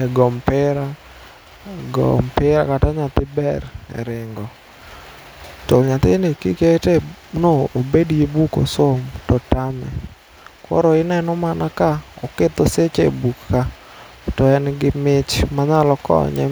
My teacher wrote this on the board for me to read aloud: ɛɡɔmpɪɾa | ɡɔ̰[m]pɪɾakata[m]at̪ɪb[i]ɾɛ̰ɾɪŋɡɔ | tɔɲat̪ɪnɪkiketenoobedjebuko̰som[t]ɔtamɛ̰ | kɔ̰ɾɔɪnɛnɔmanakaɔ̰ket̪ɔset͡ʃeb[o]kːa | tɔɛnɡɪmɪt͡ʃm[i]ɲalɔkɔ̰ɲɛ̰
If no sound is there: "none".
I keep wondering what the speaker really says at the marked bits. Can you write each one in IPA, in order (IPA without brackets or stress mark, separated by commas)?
m, ɲ, ɛ, t, u, a